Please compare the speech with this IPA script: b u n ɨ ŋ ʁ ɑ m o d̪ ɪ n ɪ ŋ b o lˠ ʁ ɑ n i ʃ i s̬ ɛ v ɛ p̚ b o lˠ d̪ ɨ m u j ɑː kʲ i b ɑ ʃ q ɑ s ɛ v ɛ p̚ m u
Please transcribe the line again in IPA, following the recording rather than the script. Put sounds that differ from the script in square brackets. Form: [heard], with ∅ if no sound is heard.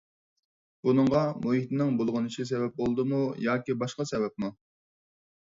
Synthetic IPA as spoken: b u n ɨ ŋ ʁ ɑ m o [t̪] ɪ n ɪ ŋ b o lˠ ʁ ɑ n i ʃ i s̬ ɛ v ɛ p̚ b o lˠ d̪ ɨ m u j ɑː kʲ i b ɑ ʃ q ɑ s ɛ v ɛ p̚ m u